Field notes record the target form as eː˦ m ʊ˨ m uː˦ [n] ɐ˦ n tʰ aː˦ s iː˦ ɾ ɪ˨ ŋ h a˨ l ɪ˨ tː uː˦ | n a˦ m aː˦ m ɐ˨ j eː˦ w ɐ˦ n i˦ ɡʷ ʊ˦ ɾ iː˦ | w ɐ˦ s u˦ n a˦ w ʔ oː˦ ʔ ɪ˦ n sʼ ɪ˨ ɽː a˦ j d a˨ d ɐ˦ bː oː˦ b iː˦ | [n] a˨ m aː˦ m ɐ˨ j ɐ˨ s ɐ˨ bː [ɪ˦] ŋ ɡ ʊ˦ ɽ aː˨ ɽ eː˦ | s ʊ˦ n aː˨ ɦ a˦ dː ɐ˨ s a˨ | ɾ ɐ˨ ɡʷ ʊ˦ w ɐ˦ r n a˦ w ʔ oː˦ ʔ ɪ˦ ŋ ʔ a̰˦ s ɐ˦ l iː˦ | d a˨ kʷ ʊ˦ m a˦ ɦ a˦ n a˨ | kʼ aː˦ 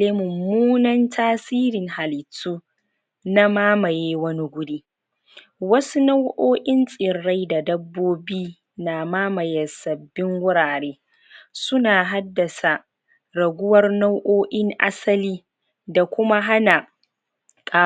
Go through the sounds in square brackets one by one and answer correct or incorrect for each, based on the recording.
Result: correct, correct, correct

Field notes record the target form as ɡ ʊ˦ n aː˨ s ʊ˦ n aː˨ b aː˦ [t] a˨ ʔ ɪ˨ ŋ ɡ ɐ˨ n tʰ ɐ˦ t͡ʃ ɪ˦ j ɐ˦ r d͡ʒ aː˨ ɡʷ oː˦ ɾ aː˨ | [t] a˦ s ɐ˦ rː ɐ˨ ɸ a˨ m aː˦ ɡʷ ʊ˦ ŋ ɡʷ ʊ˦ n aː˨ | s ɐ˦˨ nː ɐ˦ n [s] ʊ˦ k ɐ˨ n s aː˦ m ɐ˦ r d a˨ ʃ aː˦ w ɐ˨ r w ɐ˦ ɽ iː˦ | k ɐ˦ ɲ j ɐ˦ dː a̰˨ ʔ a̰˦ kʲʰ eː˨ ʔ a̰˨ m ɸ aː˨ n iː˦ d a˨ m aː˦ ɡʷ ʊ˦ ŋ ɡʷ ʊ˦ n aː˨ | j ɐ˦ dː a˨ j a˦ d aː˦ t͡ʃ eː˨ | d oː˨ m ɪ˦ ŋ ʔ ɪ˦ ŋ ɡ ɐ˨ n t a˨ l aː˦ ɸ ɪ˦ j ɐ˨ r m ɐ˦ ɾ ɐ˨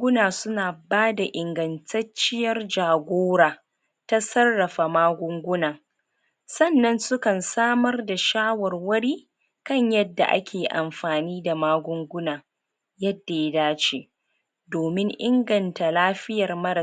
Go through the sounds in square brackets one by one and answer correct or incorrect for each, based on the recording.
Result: incorrect: d, correct, correct

